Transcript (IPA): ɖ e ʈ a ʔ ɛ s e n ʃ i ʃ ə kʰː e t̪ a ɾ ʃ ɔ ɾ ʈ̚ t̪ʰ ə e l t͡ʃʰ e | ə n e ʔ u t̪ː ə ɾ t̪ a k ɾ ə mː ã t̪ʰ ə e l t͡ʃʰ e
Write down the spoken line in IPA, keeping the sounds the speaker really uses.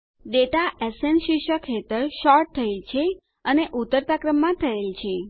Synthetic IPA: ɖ e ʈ a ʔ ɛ s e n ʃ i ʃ ə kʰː e t̪ ə ɾ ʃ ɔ ɾ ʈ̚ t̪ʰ ə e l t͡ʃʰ e | ə n e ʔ u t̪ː ə ɾ t̪ a k ɾ ə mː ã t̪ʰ ə e l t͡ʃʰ e